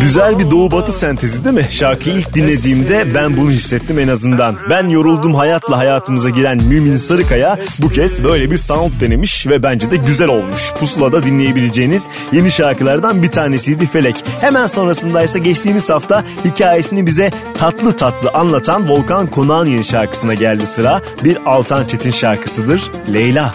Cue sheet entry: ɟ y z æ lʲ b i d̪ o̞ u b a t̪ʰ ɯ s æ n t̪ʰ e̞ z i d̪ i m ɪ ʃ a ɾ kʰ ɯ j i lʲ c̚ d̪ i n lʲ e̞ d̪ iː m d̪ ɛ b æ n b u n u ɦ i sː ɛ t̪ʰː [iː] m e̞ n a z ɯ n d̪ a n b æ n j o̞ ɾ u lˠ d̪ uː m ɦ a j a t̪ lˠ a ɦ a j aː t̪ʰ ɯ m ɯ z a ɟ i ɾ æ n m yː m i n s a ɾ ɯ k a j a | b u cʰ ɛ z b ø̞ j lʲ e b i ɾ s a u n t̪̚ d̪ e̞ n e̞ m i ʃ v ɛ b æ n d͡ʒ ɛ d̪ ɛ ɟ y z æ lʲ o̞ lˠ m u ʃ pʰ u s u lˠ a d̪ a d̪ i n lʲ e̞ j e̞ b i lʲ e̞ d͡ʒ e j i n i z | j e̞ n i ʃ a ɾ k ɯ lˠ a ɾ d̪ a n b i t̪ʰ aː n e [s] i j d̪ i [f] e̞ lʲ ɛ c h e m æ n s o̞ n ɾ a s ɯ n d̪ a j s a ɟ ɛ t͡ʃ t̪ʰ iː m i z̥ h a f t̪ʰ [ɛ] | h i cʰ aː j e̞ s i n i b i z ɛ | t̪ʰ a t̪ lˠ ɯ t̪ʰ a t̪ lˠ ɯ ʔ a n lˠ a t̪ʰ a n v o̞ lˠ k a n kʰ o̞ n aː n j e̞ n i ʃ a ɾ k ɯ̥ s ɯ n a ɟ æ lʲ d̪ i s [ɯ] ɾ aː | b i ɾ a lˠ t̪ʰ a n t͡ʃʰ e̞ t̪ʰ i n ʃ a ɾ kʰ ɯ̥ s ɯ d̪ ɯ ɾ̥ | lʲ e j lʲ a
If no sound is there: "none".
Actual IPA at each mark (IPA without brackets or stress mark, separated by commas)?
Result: i, s, f, a, ɯ